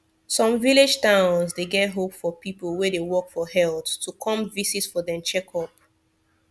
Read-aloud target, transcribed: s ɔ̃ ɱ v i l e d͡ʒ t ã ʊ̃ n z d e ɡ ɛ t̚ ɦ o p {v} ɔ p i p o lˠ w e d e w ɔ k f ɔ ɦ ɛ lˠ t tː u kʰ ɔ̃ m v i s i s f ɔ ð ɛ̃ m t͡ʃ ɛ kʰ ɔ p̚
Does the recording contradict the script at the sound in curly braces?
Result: yes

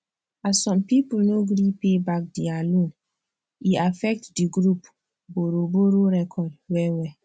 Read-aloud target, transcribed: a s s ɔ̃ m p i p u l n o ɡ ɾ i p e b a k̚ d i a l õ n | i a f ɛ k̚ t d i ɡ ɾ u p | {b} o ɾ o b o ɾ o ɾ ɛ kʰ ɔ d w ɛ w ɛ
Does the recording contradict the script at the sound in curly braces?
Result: no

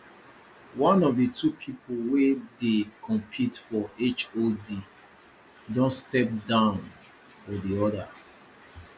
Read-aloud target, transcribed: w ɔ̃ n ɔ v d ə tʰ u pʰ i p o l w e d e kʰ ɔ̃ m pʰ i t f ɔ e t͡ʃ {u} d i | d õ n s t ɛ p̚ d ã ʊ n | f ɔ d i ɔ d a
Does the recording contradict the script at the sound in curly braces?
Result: yes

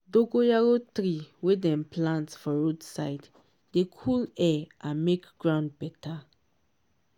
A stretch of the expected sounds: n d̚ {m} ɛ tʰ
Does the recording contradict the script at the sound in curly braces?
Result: yes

